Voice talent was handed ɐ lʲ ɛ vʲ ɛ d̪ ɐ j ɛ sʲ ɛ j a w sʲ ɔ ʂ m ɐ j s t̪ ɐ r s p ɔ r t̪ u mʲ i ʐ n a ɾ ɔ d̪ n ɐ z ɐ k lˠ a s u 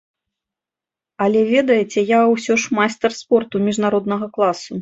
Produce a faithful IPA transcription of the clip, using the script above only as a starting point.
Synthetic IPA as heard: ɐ lʲ ɛ vʲ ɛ d̪ ɐ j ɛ t͡sʲ ɛ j a w sʲ ɔ ʂ m a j s t̪ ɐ r s p ɔ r t̪ u mʲ i ʐ n a ɾ ɔ d̪ n ɐ ɣ ɐ k lˠ a s u